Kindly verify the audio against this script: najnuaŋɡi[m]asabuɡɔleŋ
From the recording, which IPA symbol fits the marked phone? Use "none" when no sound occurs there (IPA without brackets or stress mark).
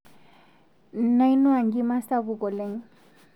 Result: m